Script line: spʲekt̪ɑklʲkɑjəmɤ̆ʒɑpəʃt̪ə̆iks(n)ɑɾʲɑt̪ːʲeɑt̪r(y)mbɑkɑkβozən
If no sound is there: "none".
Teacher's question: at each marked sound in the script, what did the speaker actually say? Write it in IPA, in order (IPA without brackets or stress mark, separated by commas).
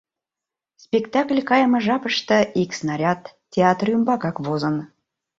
n, y